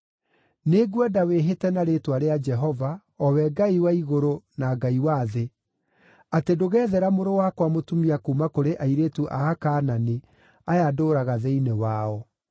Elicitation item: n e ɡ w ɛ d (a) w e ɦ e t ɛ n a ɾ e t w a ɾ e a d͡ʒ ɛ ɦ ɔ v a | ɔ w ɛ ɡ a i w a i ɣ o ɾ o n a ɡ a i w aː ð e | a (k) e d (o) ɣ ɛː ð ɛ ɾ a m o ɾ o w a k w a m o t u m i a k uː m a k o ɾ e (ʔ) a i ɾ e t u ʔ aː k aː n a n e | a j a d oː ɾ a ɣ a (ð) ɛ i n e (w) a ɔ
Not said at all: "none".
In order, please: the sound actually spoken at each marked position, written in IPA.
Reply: a, t, o, ʔ, ð, w

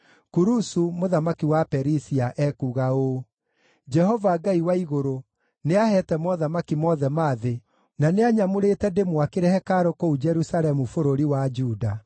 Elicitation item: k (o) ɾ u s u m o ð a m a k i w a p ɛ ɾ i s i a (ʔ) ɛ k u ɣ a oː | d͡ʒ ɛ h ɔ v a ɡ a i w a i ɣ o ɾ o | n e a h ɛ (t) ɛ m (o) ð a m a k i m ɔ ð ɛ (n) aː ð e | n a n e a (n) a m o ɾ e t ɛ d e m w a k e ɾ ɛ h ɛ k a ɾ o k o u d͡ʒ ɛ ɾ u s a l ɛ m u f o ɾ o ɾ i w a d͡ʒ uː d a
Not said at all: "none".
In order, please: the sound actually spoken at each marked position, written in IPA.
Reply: u, ʔ, t, ɔ, m, ɲ

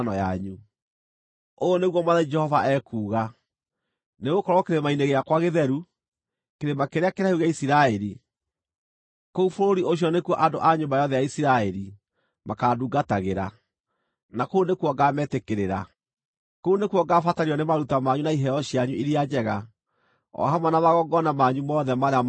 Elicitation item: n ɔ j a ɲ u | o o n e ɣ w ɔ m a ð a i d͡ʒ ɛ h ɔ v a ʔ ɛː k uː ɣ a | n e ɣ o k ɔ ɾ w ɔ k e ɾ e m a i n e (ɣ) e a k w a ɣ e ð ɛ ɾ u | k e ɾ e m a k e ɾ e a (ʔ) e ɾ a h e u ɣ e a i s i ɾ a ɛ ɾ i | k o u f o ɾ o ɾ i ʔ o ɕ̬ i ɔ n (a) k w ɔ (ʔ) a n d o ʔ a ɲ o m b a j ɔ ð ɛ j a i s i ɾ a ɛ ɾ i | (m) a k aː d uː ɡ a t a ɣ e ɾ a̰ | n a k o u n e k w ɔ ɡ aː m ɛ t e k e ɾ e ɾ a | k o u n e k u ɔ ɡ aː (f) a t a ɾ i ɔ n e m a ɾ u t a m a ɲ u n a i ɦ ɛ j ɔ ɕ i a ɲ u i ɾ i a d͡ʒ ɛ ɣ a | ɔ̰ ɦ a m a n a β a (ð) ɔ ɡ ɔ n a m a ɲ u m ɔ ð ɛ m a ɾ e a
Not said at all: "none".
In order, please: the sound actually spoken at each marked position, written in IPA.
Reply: ɣ, k, e, ʔ, m, f, ɣ

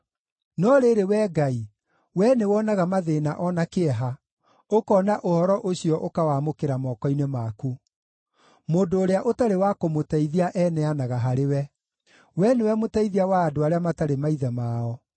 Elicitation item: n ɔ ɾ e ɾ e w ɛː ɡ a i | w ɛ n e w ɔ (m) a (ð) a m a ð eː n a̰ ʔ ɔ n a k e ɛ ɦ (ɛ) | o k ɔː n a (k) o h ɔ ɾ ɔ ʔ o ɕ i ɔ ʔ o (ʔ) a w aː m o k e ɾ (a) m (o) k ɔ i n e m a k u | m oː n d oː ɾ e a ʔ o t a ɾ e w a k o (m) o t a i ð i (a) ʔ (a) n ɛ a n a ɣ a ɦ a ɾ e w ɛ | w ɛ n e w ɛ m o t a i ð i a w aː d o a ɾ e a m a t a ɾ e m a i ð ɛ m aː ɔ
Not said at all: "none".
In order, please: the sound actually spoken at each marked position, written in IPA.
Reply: n, ɣ, a, ʔ, k, a, ɔ, m, a, ɛ

